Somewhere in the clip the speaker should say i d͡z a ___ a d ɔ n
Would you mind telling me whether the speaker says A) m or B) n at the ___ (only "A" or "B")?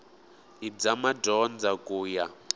A